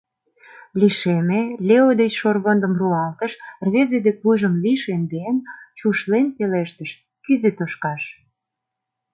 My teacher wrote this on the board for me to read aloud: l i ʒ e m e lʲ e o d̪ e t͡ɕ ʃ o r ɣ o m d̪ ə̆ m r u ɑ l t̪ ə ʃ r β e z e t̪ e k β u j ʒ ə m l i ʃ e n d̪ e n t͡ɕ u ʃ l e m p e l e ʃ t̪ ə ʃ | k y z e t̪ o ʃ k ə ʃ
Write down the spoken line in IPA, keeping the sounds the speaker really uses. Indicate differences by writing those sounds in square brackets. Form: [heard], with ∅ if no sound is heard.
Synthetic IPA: l i [ʃ] e m e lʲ e o d̪ e t͡ɕ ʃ o r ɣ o [n] d̪ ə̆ m r u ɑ l t̪ ə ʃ r β e z e [d̪] e k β u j ʒ ə m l i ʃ e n d̪ e n t͡ɕ u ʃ l e [n] p e l e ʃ t̪ ə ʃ | k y z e t̪ o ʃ k [ɑ] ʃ